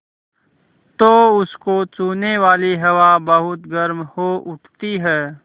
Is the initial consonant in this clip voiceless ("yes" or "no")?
yes